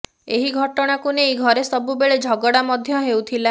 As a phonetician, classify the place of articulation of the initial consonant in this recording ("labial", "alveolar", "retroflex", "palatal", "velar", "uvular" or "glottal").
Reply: glottal